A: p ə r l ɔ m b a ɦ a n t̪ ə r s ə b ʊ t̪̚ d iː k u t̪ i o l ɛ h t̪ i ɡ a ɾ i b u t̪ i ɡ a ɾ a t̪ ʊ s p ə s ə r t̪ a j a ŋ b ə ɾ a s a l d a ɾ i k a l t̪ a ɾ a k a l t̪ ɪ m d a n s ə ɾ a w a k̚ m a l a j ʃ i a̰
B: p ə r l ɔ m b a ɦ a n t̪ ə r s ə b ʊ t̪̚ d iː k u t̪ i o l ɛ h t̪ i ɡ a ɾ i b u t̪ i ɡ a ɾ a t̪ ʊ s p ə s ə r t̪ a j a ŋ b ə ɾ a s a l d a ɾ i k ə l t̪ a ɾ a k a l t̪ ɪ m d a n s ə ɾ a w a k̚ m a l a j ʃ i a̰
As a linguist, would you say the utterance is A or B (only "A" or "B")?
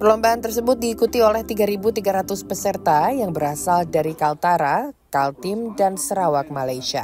A